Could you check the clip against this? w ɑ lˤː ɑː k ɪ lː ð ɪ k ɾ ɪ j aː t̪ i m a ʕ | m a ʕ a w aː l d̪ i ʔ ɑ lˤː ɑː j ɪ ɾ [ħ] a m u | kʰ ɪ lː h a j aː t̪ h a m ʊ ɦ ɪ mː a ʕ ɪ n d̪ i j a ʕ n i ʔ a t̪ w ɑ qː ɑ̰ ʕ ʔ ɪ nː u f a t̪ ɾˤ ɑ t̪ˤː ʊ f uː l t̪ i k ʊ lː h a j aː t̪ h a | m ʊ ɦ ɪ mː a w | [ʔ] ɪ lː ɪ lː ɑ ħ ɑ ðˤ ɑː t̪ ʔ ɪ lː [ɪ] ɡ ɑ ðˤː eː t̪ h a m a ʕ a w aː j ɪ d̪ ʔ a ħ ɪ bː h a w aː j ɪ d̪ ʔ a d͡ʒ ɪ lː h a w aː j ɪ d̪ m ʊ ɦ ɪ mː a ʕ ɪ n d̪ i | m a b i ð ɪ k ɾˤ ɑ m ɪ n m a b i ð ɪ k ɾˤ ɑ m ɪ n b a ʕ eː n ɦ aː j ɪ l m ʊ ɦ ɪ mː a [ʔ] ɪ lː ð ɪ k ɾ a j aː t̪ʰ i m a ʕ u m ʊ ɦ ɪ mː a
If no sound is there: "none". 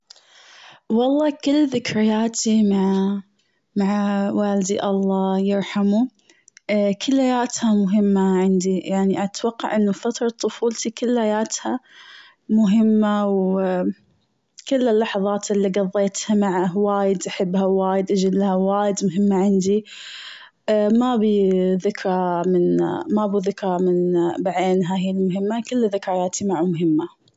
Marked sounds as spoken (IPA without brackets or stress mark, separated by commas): ħ, k, i, k